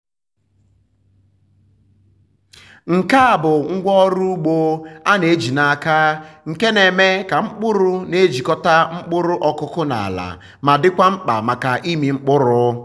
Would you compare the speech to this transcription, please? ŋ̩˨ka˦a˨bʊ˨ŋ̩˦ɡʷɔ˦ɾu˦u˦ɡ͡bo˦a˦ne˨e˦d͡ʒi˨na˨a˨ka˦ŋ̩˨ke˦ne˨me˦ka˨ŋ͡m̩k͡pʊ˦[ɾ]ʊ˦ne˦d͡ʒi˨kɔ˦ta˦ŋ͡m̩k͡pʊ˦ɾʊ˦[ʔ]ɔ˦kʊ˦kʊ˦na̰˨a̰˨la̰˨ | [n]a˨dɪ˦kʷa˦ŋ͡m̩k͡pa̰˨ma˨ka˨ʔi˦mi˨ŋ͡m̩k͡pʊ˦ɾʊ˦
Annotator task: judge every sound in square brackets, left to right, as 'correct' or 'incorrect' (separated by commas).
correct, correct, incorrect